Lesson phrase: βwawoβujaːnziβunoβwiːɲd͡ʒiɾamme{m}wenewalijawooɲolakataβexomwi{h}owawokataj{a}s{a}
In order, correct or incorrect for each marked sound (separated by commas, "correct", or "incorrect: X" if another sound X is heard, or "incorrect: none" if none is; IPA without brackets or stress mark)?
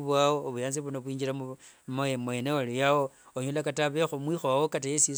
correct, incorrect: x, incorrect: e, incorrect: i